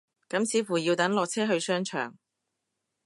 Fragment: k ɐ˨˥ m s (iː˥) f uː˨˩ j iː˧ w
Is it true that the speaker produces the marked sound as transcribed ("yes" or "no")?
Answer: no